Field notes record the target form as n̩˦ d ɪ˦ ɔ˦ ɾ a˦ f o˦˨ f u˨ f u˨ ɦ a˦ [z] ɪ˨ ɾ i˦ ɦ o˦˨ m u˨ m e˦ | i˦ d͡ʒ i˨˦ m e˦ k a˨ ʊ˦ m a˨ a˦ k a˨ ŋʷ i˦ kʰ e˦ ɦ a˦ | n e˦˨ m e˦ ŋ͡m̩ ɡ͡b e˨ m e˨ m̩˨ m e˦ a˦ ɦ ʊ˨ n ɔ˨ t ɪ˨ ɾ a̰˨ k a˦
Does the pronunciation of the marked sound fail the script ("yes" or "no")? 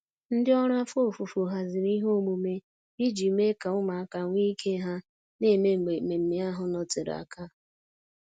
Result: no